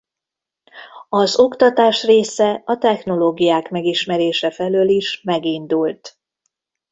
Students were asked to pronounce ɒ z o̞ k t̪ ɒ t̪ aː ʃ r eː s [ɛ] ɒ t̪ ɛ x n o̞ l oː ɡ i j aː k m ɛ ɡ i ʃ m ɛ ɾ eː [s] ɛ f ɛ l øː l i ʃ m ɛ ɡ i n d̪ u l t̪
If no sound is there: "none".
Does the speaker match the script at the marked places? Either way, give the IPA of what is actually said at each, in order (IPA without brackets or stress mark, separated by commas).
ɛ, ʃ